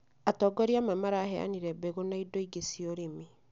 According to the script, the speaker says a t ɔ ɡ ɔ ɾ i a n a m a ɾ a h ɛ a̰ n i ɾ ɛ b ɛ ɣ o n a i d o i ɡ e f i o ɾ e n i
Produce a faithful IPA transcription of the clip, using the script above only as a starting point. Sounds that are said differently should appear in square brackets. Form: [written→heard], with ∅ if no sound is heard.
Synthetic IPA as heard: a t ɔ ɡ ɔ ɾ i a [n→m] a m a ɾ a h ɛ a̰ n i ɾ ɛ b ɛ ɣ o n a i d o i ɡ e [f→s] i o ɾ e [n→m] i

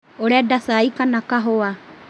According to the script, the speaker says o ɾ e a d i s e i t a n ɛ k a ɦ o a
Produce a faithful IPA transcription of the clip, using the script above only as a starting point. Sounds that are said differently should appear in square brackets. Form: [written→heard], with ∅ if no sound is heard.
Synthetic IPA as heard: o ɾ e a d [i→a] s [e→a] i [t→k] a n [ɛ→a] k a ɦ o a

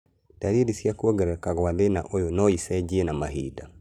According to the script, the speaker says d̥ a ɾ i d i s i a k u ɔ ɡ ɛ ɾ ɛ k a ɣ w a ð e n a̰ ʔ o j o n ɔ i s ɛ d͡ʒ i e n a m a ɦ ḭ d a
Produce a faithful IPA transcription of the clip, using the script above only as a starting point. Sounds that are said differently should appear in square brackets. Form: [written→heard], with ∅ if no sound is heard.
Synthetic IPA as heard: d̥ a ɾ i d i s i a k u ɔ ɡ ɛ ɾ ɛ k a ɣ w a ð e n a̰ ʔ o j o n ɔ i s ɛ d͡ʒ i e n a m a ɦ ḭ d a

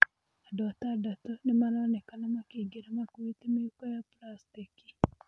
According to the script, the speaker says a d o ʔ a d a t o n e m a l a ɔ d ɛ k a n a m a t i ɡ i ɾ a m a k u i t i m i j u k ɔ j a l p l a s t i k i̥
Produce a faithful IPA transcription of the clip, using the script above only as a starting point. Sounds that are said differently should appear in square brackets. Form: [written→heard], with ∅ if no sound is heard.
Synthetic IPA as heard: a d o [ʔ→t] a d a t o n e m a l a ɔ [d→n] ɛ k a n a m a [t→k] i ɡ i ɾ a m a k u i t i m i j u k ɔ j a [l→∅] p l a s t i k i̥

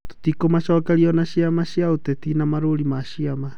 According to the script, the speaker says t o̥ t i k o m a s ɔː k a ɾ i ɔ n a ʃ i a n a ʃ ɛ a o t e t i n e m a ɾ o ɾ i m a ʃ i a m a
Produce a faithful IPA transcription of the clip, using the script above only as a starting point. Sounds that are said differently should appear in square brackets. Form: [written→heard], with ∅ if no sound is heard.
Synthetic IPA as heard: t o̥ t i k o m a [s→ʃ] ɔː k a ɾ i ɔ n a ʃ i a [n→m] a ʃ [ɛ→i] a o t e t i n [e→a] m a ɾ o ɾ i m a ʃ i a m a

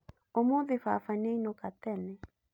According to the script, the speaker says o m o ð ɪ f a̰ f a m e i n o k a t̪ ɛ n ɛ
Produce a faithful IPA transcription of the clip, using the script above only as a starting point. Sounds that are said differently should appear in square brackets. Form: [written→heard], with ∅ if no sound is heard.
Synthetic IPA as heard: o m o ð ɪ f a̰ f a [m→n] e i n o k a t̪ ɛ n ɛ

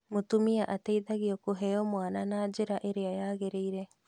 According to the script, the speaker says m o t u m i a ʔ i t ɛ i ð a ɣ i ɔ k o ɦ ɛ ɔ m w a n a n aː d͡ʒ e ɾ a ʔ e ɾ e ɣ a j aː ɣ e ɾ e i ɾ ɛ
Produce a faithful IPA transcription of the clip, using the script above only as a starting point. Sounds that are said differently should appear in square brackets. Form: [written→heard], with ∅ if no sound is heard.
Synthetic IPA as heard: m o t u m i a ʔ [i→a] t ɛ i ð a ɣ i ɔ k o ɦ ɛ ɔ m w a n a n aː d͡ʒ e ɾ a ʔ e ɾ e [ɣ→∅] a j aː ɣ e ɾ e i ɾ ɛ

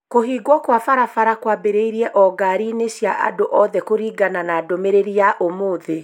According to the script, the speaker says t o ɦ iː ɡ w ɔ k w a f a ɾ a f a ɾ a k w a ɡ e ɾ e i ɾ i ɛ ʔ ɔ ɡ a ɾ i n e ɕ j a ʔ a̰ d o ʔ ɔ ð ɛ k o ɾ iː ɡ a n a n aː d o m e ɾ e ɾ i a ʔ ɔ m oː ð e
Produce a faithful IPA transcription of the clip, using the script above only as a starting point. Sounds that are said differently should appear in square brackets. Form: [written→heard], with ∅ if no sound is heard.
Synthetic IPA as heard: [t→k] o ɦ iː ɡ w ɔ k w a f a ɾ a f a ɾ a k w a [ɡ→b] e ɾ e i ɾ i ɛ ʔ ɔ ɡ a ɾ i n e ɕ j a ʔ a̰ d o ʔ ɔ ð ɛ k o ɾ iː ɡ a n a n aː d o m e ɾ e ɾ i a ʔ [ɔ→o] m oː ð e

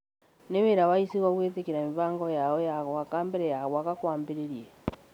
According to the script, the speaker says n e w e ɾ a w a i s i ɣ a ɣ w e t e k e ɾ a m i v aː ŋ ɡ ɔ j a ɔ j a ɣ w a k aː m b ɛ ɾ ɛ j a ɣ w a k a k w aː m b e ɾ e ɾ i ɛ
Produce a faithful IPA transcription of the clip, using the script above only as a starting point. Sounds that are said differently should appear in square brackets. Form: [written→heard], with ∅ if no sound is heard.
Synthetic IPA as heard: n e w e ɾ a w a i s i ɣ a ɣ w e t e k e ɾ a m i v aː ŋ ɡ ɔ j a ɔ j a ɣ w a k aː m b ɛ ɾ ɛ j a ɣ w a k a k w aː m b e ɾ e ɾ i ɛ

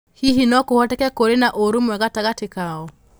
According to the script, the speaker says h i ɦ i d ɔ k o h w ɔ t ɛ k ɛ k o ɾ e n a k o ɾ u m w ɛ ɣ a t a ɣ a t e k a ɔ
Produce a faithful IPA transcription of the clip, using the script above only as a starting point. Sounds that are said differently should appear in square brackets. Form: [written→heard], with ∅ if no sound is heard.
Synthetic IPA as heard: h i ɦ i [d→n] ɔ k o h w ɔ t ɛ k ɛ k o ɾ e n a [k→ʔ] o ɾ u m w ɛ ɣ a t a ɣ a t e k a ɔ

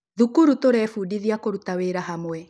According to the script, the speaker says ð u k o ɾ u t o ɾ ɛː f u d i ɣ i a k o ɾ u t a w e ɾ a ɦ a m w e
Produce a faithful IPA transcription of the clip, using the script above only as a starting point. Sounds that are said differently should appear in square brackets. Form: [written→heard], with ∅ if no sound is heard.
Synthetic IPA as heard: ð u k [o→u] ɾ u t o ɾ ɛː f u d i [ɣ→ð] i a k o ɾ u t a w e ɾ a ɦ a m w [e→ɛ]

